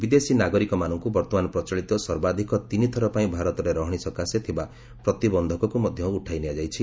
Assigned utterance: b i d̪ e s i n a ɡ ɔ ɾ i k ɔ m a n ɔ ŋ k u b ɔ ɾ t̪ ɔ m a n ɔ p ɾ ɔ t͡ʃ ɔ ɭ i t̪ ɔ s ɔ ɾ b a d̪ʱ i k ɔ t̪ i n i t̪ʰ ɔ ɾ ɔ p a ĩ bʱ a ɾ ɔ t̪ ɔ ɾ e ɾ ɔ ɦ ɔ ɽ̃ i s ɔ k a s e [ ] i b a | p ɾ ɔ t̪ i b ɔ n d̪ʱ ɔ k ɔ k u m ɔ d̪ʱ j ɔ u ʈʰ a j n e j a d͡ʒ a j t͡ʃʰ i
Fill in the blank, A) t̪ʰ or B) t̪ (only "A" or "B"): A